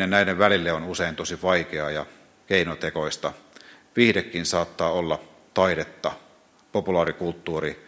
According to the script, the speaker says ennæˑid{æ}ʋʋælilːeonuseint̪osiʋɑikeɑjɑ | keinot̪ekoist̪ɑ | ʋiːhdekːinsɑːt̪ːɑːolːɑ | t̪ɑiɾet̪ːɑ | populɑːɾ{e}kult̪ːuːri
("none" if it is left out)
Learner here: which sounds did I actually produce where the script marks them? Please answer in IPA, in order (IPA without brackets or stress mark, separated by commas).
e, i